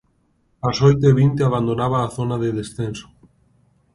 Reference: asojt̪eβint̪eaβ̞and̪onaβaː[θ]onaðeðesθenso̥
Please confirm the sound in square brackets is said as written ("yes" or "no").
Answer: yes